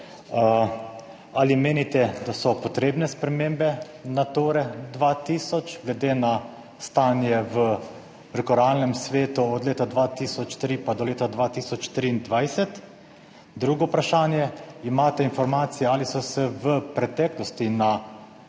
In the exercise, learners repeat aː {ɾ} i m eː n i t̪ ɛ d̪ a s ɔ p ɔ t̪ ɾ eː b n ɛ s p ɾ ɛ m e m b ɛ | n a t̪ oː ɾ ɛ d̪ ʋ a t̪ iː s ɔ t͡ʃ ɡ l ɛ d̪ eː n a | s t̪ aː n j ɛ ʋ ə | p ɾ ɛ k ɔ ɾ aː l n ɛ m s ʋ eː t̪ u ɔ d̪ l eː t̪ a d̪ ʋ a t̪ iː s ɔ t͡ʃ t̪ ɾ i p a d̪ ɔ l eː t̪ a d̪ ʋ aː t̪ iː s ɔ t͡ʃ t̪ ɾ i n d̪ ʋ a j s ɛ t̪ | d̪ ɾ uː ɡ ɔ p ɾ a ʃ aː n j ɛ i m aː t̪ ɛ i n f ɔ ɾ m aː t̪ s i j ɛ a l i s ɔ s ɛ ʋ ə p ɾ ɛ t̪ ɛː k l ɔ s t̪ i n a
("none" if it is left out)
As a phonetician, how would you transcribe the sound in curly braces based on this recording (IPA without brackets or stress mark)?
l